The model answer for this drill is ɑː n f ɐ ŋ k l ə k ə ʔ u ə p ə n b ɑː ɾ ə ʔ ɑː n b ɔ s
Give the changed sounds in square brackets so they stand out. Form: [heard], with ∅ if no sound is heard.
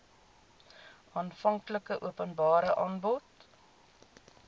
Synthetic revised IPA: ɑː n f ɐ ŋ k l ə k ə ʔ u ə p ə n b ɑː ɾ ə ʔ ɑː n b ɔ [t]

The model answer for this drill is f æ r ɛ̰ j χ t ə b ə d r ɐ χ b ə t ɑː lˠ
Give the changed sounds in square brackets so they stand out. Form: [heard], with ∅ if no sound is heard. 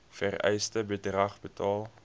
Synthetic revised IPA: f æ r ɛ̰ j [s] t ə b ə d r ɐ χ b ə t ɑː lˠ

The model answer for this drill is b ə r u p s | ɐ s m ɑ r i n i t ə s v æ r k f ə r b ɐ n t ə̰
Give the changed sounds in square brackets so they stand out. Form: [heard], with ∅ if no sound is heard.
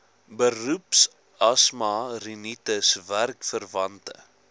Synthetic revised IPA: b ə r u p s | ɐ s m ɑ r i n i t ə s v æ r k f ə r [v] ɐ n t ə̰

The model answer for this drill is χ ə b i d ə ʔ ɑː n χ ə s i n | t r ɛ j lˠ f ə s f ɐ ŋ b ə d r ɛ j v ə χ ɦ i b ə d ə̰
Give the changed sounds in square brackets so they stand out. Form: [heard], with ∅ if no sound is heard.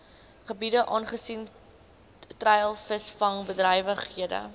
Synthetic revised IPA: χ ə b i d ə ʔ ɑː n χ ə s i n | t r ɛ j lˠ f ə s f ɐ ŋ b ə d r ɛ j v ə χ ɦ i [∅] ə d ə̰

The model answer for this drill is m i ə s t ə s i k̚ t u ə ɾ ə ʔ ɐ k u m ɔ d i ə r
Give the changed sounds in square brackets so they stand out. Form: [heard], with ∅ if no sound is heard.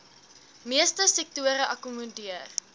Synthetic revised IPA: m i ə s t ə s [ɛ] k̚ t u ə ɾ ə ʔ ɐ k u m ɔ d i ə r

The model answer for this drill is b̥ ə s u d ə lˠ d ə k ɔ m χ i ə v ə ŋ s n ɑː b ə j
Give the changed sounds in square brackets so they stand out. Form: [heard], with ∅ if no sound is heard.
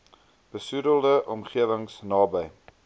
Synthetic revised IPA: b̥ ə s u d ə lˠ d ə [ʔ] ɔ m χ i ə v ə ŋ s n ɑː b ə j

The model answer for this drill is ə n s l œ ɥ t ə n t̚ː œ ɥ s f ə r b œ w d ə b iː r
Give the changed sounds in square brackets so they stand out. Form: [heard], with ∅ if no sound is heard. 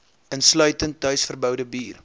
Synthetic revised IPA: ə n s l œ ɥ t ə n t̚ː œ ɥ s f ə r b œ w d ə b iː r

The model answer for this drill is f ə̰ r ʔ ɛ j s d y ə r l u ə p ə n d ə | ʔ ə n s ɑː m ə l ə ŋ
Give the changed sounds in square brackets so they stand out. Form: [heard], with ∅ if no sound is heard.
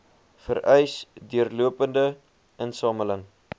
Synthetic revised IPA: f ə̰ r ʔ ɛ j s d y ə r l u ə p ə n d ə | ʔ ə n s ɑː m ə l ə ŋ

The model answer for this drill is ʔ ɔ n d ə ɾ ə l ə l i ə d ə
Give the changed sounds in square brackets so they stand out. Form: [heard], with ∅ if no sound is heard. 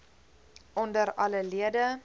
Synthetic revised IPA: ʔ ɔ n d ə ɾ [ɐ] l ə l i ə d ə

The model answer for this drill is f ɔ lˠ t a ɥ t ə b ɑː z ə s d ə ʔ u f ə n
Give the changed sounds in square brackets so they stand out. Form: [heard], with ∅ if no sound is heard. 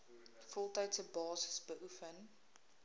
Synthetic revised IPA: f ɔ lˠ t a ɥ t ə b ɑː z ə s [b] ə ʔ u f ə n

